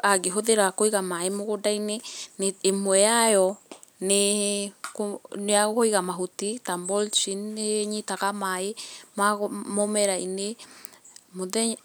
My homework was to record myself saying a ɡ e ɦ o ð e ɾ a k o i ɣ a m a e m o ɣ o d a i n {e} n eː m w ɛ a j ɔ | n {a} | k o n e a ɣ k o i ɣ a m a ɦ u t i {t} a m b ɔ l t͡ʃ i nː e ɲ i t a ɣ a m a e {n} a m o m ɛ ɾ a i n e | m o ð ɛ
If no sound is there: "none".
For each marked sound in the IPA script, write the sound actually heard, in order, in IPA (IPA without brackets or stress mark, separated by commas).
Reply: e, e, t, m